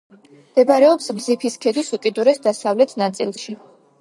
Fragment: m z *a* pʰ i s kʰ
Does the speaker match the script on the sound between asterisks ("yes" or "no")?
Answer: no